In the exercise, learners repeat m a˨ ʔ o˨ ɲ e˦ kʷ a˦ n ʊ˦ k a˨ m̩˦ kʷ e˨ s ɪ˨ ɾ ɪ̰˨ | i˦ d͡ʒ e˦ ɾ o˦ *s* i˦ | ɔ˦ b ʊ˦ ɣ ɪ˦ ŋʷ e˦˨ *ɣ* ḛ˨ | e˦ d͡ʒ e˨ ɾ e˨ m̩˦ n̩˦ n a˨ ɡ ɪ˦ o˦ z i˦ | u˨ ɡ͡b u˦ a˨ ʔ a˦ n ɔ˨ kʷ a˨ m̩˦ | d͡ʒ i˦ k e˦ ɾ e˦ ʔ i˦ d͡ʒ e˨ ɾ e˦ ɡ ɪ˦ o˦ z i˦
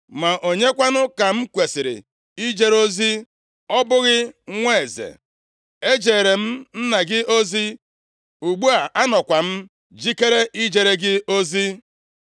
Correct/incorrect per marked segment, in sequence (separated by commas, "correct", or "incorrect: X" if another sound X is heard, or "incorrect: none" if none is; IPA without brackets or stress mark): incorrect: z, incorrect: z